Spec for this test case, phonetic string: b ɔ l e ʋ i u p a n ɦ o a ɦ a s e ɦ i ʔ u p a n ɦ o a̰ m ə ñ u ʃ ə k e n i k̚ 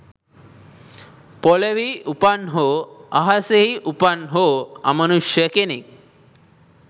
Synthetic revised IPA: p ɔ l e ʋ i u p a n ɦ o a ɦ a s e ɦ i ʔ u p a n ɦ o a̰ m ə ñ u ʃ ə k e n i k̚

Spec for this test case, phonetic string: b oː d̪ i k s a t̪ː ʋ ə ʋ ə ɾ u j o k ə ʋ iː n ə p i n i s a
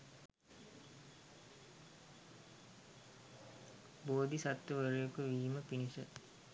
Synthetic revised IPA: b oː d̪ i s a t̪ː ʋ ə ʋ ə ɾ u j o k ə ʋ iː m ə p i n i s ə

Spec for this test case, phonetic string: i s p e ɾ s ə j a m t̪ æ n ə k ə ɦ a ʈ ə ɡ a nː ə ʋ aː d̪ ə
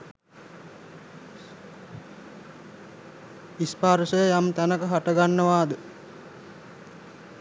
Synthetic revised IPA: i s p a ɾ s ə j a m t̪ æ n ə k ə ɦ a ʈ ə ɡ a nː ə ʋ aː d̪ ə

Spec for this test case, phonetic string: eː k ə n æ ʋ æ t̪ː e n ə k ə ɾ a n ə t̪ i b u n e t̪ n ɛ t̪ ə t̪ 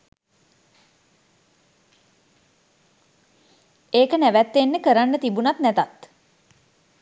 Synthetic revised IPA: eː k ə n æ ʋ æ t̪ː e nː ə k ə ɾ a nː ə t̪ i b u n a t̪ n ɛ t̪ a t̪

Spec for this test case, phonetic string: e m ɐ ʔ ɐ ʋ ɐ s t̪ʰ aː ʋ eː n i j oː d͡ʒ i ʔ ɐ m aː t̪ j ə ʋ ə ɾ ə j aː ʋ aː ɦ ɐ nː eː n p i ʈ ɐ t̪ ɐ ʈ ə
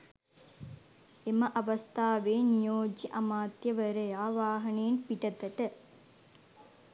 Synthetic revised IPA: e m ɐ ʔ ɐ ʋ ɐ s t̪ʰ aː ʋ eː n i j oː d͡ʒ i ʔ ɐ m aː t̪ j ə ʋ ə ɾ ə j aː ʋ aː ɦ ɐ n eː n p i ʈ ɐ t̪ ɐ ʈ ə

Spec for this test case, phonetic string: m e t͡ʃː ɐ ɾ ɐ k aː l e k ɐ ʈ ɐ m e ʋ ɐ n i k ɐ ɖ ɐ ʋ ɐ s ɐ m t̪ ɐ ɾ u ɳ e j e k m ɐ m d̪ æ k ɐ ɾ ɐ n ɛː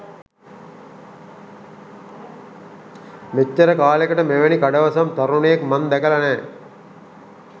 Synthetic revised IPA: m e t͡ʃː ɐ ɾ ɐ k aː l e k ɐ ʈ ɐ m e ʋ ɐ n i k ɐ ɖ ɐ ʋ ɐ s ɐ m t̪ ɐ ɾ u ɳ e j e k m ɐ n d̪ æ k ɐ l ɐ n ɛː

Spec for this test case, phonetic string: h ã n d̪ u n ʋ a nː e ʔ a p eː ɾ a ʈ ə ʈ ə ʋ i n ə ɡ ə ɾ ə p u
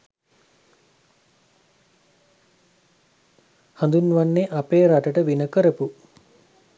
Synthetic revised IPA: h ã n d̪ u n ʋ a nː e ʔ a p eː ɾ a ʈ ə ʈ ə ʋ i n ə k ə ɾ ə p u

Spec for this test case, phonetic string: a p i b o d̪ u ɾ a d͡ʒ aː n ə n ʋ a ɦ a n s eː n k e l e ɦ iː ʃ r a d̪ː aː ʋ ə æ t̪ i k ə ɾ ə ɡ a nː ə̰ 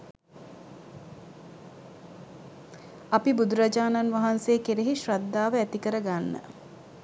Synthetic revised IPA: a p i b u d̪ u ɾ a d͡ʒ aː n a n ʋ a ɦ a n s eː k e ɾ e ɦ i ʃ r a d̪ː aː ʋ ə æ t̪ i k ə ɾ ə ɡ a nː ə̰

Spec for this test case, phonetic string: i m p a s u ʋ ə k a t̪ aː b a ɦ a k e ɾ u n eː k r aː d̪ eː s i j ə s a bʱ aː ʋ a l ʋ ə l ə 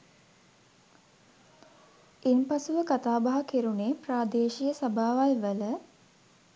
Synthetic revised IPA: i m p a s u ʋ ə k a t̪ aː b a ɦ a k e ɾ u n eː p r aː d̪ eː ʃ i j ə s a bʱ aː ʋ a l ʋ ə l ə

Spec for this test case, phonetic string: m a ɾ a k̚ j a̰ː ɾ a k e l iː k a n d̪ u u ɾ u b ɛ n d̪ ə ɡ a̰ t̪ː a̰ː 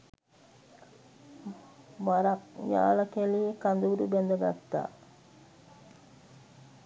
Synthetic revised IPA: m a ɾ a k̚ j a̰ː l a k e l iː k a n d̪ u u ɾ u b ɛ n d̪ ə ɡ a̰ t̪ː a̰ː

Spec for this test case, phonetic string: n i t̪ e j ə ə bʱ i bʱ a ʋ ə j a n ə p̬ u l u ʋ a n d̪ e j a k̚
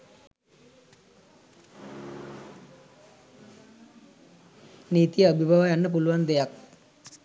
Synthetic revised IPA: n i t̪ i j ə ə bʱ i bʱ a ʋ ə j a nː ə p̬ u l u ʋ a n d̪ e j a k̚

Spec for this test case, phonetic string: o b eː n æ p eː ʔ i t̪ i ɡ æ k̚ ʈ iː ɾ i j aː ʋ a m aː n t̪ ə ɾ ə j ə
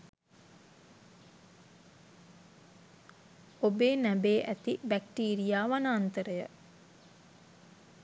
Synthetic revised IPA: o b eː n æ b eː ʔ æ t̪ i b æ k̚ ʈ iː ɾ i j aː ʋ a n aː n t̪ ə ɾ ə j ə

